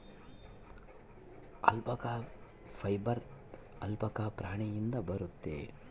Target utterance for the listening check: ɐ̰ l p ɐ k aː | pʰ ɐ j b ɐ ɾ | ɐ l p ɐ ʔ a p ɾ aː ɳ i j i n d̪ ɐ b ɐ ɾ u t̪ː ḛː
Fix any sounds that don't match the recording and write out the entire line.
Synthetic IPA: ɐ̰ l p ɐ k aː | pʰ ɐ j b ɐ ɾ | ɐ l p ɐ k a p ɾ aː ɳ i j i n d̪ ɐ b ɐ ɾ u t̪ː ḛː